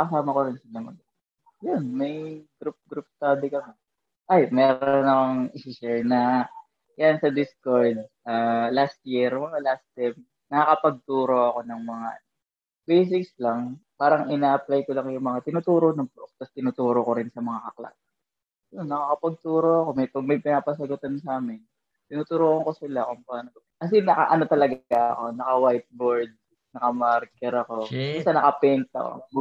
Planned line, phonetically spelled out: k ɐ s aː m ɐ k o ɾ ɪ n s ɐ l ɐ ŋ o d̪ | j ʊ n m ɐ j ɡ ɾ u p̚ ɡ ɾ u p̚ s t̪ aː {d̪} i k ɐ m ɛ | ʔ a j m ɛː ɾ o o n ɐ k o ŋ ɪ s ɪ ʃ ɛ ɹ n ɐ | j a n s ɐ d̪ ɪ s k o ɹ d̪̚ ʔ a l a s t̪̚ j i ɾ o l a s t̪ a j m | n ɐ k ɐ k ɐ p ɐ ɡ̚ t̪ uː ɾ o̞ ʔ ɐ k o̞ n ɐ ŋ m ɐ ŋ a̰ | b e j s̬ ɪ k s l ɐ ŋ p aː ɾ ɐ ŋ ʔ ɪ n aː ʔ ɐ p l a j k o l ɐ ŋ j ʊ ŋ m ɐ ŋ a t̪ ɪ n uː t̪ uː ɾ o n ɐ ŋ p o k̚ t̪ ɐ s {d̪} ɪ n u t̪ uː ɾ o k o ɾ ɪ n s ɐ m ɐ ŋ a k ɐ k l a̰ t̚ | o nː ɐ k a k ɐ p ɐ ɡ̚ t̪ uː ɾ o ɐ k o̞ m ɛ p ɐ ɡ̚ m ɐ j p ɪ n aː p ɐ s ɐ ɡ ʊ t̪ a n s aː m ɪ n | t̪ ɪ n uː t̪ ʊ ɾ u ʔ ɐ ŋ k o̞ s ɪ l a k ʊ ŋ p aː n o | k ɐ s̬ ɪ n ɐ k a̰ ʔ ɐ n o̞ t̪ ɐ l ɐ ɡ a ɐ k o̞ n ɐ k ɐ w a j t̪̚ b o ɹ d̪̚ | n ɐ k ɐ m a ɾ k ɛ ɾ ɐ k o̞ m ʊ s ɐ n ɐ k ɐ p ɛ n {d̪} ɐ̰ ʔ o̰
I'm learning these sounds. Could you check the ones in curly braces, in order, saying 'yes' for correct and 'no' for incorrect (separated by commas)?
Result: yes, no, no